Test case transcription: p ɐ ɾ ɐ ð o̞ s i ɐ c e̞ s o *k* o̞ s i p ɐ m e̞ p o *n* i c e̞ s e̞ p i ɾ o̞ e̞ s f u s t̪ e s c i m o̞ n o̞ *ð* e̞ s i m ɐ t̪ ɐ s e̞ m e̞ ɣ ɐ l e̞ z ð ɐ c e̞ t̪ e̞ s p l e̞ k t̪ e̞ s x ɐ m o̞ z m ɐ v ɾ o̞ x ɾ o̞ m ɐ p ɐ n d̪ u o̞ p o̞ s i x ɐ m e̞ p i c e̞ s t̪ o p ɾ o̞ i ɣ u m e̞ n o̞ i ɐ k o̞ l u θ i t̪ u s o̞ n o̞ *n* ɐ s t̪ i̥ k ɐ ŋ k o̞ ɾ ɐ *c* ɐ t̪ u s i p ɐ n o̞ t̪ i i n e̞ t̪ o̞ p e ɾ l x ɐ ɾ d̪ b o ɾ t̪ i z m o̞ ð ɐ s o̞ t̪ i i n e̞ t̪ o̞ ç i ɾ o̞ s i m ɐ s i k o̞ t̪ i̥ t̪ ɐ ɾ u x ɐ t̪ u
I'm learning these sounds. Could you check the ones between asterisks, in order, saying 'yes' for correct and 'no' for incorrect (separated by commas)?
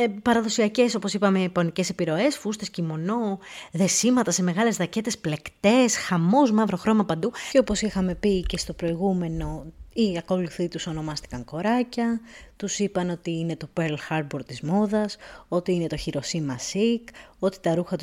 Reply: no, yes, yes, no, yes